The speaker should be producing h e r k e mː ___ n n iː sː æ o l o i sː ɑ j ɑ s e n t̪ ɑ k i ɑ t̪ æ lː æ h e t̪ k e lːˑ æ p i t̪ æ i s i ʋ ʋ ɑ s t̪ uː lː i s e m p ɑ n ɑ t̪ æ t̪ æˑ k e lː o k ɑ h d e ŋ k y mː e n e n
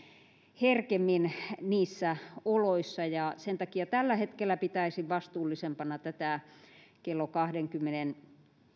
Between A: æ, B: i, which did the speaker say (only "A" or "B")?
B